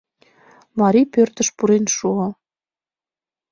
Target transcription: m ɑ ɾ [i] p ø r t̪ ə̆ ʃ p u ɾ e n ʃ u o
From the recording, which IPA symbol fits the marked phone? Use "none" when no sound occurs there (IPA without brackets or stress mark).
i